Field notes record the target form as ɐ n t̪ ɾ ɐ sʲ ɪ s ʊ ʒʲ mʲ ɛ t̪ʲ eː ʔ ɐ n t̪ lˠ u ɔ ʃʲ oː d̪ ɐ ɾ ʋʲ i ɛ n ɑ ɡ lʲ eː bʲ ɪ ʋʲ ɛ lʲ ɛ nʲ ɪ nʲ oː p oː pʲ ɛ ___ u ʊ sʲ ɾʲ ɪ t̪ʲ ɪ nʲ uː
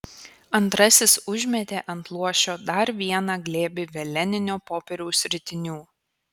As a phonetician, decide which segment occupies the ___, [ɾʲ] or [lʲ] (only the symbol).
ɾʲ